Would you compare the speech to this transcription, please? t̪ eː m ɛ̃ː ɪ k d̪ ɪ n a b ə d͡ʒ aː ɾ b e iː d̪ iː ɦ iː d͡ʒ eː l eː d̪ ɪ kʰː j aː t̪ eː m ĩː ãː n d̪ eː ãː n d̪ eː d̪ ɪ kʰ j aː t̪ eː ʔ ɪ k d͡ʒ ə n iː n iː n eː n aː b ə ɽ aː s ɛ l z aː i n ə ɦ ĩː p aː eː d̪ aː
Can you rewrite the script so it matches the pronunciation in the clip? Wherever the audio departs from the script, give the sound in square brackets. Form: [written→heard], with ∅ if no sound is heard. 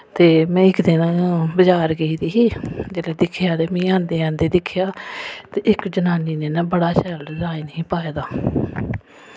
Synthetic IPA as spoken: t̪ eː m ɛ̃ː ɪ k d̪ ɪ n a b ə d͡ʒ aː ɾ [b→ɡ] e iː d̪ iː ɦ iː d͡ʒ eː l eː d̪ ɪ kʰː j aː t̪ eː m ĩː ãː n d̪ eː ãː n d̪ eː d̪ ɪ kʰ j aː t̪ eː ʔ ɪ k d͡ʒ ə n [iː→aː] n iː n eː n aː b ə ɽ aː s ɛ l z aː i n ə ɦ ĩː p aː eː d̪ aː